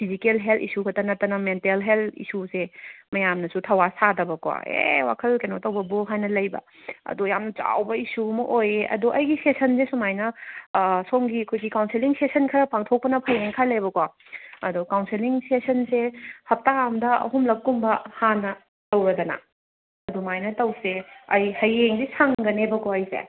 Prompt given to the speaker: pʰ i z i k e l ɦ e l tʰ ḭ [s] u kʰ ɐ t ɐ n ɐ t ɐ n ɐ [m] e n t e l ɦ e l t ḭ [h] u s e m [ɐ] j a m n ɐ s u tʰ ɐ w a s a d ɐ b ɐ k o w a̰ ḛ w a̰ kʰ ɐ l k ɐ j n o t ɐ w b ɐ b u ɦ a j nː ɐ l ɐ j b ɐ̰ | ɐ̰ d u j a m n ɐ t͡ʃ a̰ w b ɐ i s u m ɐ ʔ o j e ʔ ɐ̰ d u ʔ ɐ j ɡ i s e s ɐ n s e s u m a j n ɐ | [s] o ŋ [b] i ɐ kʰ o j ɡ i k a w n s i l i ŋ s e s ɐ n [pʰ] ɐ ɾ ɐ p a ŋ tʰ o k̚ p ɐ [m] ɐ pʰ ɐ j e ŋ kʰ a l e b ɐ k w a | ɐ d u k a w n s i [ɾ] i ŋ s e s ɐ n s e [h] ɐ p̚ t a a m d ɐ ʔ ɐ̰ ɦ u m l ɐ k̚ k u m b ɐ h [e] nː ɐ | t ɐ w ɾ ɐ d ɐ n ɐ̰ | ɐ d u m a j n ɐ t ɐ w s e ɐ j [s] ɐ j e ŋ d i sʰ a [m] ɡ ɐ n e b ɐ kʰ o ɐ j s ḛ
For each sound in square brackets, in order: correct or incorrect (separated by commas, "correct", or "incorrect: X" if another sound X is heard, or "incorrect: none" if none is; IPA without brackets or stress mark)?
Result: correct, correct, incorrect: s, correct, correct, incorrect: ɡ, incorrect: kʰ, incorrect: n, incorrect: l, correct, incorrect: a, incorrect: h, incorrect: ŋ